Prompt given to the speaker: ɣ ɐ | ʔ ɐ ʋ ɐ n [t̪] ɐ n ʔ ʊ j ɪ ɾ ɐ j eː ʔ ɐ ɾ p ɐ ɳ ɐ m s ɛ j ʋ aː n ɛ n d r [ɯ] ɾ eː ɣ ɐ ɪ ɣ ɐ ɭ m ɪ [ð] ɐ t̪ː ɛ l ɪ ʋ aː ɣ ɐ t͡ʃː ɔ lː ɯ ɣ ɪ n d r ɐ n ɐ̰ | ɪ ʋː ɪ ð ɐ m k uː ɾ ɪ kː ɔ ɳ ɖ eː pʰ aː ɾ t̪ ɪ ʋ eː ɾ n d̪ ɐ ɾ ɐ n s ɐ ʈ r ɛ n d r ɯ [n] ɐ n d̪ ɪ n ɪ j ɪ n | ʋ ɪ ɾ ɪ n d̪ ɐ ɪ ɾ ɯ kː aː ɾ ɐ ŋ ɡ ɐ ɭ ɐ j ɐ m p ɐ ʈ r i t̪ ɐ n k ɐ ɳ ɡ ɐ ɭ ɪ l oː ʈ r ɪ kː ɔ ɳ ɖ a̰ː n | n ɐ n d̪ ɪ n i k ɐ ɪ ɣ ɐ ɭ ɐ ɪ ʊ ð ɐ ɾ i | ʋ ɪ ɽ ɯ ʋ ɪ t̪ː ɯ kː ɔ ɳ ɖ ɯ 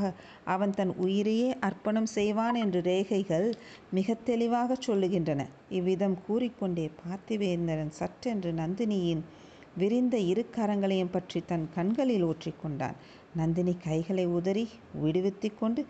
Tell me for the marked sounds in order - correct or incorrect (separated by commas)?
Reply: correct, correct, incorrect, correct